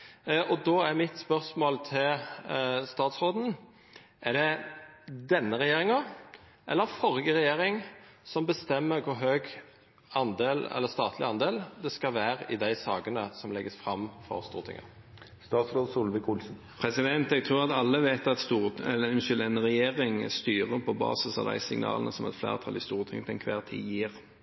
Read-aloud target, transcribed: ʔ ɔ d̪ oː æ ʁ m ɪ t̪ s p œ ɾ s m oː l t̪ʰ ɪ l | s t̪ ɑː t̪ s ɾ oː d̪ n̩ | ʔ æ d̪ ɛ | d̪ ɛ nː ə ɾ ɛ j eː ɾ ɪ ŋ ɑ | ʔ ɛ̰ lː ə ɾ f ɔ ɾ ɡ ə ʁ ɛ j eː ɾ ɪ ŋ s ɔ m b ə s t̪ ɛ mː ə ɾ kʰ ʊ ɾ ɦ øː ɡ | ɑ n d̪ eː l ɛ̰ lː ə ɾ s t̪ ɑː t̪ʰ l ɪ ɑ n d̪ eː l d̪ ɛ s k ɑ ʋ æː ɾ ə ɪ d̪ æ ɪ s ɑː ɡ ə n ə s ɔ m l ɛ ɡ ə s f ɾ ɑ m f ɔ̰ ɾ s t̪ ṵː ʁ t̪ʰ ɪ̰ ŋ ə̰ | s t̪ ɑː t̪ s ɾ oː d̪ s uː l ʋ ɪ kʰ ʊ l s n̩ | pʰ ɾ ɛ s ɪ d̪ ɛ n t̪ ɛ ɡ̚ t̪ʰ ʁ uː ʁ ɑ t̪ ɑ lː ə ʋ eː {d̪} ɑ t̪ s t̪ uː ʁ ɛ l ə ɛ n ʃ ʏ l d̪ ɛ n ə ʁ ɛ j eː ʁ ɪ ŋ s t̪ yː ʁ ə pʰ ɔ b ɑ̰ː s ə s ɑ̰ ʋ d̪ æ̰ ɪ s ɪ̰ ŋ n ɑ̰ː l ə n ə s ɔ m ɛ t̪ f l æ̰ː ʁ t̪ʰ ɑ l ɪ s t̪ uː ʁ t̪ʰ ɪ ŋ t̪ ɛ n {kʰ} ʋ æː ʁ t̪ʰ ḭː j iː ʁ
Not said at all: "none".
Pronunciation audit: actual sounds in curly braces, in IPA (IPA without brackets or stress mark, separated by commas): t̪, kʰ